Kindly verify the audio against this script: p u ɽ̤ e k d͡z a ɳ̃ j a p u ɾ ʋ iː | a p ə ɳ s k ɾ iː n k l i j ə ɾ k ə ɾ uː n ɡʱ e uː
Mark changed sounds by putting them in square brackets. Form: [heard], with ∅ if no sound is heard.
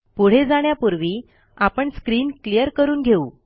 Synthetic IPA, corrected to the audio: p u ɽ̤ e [∅] d͡z a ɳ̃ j a p u ɾ ʋ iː | a p ə ɳ s k ɾ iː n k l i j ə ɾ k ə ɾ uː n ɡʱ e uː